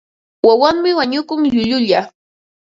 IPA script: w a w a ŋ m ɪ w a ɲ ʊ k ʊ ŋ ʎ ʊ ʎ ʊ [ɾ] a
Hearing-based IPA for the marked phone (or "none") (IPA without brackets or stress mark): ʎ